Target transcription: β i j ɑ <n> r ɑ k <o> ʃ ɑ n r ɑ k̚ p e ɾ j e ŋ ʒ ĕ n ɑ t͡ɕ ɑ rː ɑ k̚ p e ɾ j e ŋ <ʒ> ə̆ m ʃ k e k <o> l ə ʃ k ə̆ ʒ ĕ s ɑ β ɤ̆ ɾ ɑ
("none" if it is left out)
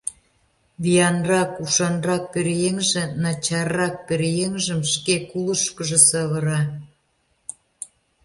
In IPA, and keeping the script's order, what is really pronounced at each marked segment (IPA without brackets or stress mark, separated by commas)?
n, u, ʒ, u